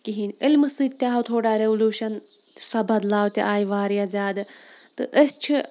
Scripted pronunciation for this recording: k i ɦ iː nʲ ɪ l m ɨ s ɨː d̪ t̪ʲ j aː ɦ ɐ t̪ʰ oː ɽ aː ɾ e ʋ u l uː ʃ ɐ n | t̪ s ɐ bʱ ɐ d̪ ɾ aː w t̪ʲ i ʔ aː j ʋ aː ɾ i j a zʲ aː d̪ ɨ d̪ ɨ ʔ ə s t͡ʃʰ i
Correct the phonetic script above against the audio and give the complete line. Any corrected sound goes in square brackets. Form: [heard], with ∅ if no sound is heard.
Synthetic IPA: k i ɦ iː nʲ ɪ l m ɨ s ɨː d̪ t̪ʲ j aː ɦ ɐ t̪ʰ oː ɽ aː ɾ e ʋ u l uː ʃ ɐ n | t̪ s ɐ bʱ ɐ d̪ [l] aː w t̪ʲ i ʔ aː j ʋ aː ɾ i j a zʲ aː d̪ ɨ [t̪] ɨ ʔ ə s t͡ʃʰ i